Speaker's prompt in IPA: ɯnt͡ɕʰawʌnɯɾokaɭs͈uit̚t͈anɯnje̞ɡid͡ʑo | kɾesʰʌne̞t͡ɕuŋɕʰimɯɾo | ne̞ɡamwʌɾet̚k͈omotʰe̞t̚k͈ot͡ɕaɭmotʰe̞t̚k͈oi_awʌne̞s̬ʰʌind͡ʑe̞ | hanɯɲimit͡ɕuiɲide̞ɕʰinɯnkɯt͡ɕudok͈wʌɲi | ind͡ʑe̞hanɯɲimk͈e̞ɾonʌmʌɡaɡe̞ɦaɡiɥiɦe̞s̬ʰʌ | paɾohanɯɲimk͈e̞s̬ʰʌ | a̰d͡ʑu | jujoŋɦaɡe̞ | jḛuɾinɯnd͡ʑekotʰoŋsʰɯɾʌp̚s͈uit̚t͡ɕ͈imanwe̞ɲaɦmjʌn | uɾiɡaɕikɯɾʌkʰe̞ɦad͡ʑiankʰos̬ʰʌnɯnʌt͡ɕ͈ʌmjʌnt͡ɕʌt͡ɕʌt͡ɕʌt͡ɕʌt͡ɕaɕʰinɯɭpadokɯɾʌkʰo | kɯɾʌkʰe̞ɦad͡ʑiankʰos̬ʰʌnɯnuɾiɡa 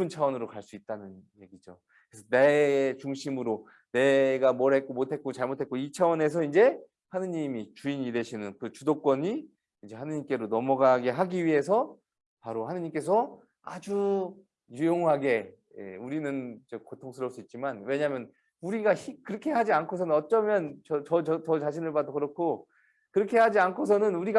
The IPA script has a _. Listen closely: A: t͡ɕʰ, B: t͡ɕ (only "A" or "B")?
A